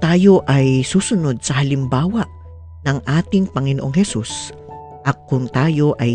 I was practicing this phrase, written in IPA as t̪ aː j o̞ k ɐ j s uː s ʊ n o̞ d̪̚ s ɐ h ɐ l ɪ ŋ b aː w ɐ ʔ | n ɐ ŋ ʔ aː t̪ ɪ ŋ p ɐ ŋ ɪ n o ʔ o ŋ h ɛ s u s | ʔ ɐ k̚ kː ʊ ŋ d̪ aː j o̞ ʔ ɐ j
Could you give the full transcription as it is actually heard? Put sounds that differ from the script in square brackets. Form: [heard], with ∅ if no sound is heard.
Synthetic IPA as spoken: t̪ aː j o̞ [ʔ] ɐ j s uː s ʊ n o̞ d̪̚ s ɐ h ɐ l ɪ [m] b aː w ɐ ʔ | n ɐ ŋ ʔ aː t̪ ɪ ŋ p ɐ ŋ ɪ n o ʔ o ŋ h ɛ s u s | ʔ ɐ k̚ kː ʊ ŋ [t̪] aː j o̞ ʔ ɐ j